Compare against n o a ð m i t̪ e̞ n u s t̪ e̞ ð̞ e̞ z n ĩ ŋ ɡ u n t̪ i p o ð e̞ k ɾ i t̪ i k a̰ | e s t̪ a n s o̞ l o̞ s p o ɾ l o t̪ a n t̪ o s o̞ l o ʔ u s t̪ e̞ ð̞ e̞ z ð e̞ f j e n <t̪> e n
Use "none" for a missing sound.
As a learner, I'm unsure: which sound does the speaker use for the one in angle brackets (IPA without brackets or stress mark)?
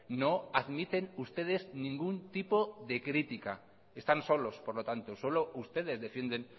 d̪